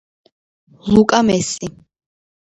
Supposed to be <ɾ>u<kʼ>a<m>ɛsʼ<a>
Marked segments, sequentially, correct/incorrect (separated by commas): incorrect, correct, correct, incorrect